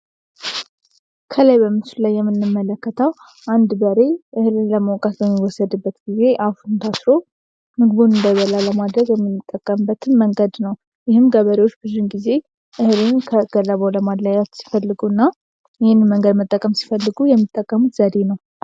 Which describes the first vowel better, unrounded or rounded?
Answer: unrounded